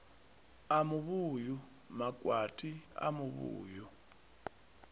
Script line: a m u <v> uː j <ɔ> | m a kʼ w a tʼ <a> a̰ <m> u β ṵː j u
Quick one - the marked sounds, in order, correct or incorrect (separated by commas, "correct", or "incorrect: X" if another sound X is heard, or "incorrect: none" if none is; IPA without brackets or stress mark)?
incorrect: β, incorrect: u, incorrect: i, correct